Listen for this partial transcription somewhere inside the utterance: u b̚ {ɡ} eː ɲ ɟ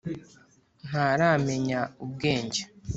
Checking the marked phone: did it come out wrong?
no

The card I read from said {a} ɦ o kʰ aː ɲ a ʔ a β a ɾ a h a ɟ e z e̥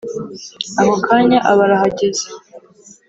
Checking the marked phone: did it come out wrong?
no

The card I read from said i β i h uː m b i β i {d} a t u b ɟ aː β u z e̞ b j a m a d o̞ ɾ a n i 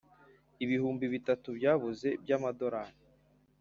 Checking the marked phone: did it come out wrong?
yes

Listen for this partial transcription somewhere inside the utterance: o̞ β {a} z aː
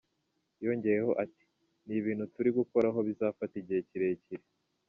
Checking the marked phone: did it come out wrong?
yes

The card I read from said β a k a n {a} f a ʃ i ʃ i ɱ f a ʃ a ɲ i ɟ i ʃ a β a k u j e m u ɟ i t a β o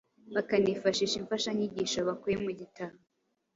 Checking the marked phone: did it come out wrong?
yes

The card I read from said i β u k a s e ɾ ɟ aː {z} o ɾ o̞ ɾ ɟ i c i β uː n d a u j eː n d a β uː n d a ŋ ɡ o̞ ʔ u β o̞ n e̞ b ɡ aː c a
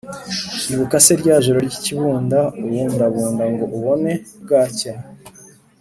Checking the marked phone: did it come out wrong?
yes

